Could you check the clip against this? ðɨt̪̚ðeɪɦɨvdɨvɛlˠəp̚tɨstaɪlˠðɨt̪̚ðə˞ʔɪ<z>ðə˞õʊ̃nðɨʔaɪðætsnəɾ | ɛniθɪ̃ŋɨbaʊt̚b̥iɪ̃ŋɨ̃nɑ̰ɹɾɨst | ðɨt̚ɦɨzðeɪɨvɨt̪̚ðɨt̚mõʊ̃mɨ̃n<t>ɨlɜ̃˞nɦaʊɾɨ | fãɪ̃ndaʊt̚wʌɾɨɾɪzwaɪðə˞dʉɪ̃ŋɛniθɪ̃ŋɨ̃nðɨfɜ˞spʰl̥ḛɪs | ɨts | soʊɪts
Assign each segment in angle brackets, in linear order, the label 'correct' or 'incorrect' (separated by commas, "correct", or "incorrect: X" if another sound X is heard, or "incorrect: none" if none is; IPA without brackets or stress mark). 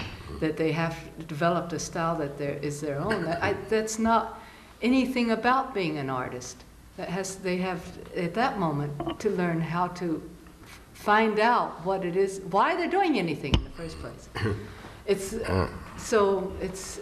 correct, incorrect: tʰ